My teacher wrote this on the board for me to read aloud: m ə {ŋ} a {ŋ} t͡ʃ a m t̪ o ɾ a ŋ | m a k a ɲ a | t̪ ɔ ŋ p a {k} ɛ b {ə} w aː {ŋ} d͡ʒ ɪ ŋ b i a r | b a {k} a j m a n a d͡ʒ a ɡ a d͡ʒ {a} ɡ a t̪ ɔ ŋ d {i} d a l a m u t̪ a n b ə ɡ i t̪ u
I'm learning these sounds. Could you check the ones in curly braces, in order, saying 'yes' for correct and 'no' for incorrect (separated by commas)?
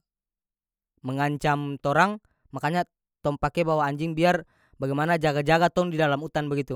yes, no, yes, no, no, no, yes, yes